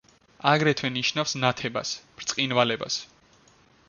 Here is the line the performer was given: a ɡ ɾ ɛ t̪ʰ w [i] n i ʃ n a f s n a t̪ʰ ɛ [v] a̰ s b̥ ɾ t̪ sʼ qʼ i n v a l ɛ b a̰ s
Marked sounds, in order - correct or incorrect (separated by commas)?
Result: incorrect, incorrect